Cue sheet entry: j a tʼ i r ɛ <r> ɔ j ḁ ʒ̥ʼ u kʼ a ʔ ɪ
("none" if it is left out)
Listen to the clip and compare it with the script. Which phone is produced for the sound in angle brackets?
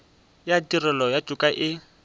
l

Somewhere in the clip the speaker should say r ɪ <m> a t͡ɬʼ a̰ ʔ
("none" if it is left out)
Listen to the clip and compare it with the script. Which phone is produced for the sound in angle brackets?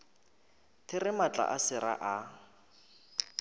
m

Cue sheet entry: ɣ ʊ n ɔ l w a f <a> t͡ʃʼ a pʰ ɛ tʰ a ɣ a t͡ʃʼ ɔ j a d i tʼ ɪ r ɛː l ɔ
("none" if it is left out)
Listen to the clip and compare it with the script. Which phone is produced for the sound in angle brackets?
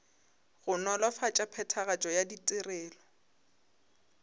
a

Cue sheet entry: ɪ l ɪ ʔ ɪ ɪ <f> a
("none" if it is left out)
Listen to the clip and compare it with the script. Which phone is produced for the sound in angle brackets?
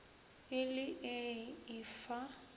f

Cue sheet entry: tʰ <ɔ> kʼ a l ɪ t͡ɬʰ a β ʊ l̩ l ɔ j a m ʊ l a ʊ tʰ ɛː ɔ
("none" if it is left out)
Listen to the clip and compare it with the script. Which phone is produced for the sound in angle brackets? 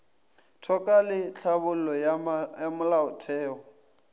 ɔ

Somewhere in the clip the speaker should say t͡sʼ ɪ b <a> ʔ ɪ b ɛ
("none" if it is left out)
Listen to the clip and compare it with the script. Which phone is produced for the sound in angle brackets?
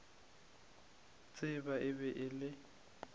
a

